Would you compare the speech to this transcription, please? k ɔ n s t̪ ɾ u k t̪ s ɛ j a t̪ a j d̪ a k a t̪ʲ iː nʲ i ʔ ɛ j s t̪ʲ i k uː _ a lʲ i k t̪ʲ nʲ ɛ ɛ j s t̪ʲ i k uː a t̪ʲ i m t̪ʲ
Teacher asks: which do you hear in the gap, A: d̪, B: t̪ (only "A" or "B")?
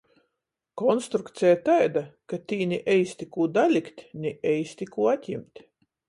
A